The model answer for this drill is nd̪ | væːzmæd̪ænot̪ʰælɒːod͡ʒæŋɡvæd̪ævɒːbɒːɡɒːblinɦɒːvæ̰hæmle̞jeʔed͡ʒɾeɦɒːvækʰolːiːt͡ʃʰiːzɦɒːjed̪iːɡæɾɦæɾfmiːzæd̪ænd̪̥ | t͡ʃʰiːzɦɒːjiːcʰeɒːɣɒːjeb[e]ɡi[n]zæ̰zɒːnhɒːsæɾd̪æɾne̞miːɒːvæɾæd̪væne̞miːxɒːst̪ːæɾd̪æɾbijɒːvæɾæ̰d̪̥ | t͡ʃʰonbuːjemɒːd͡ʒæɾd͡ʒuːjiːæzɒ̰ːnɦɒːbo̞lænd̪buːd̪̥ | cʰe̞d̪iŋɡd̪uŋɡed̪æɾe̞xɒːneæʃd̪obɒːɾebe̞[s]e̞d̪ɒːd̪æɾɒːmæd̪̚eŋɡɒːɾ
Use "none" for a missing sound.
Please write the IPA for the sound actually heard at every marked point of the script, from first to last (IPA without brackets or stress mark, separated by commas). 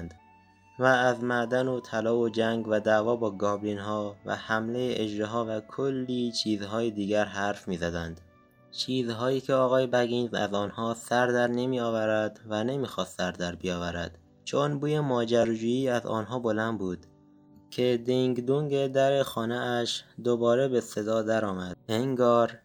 æ, n, s